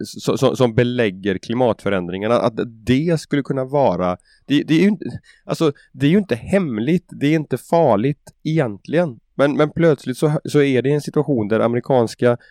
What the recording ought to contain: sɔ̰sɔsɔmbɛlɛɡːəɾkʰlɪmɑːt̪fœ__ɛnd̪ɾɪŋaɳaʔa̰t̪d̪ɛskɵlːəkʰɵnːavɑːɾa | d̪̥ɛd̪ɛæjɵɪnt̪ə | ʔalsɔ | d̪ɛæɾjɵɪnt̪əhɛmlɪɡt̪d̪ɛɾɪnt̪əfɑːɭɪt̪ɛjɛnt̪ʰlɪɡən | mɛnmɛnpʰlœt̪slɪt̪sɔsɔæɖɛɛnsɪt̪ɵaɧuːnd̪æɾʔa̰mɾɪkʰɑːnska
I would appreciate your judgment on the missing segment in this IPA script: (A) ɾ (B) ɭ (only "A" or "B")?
A